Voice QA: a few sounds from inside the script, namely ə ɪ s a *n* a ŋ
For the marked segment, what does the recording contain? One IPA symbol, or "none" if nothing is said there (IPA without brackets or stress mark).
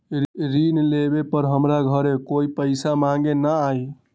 m